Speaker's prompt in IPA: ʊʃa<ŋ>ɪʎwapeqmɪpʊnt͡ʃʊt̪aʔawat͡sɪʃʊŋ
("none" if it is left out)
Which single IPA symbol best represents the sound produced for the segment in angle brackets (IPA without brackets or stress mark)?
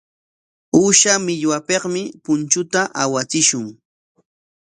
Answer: m